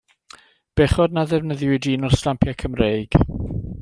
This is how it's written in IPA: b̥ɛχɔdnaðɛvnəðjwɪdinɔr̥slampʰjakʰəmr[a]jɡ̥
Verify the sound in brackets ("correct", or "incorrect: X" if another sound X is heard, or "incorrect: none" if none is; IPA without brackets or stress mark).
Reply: incorrect: e